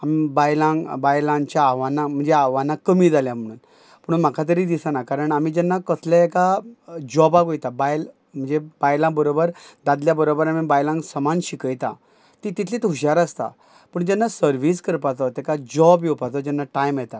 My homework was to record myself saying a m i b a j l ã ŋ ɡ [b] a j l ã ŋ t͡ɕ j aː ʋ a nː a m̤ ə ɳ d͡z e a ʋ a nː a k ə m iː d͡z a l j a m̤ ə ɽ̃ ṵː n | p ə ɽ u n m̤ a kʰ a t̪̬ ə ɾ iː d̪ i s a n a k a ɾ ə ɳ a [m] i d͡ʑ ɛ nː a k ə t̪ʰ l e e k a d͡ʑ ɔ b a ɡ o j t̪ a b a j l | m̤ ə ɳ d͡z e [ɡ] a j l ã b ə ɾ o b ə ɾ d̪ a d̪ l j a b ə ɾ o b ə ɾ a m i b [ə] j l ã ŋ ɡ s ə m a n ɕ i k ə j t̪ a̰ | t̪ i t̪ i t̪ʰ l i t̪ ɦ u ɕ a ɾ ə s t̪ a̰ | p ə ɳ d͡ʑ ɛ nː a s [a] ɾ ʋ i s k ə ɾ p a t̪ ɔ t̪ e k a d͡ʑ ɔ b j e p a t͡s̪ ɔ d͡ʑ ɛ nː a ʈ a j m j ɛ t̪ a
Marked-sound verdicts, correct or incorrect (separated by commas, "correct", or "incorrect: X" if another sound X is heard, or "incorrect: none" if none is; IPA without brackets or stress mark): correct, correct, incorrect: b, incorrect: a, incorrect: ə